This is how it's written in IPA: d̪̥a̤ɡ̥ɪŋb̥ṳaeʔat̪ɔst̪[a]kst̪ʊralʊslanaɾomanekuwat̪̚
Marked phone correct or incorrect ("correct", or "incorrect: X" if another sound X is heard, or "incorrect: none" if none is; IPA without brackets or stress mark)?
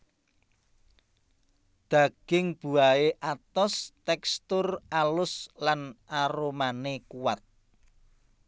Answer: incorrect: ɛ